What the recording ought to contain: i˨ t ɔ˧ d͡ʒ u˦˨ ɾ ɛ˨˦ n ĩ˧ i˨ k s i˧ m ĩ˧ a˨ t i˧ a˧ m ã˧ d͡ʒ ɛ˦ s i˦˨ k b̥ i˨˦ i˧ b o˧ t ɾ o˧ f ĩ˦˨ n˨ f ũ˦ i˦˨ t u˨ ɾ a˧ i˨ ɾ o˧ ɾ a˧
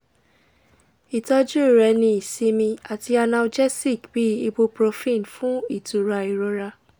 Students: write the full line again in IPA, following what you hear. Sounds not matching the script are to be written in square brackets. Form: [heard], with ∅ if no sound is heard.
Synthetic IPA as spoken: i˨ t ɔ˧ d͡ʒ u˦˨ ɾ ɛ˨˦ n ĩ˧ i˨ [∅] s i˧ m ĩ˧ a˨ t i˧ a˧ [n] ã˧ d͡ʒ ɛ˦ s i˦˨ k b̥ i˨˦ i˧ b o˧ [p] ɾ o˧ f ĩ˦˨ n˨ f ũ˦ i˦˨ t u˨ ɾ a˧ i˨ ɾ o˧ ɾ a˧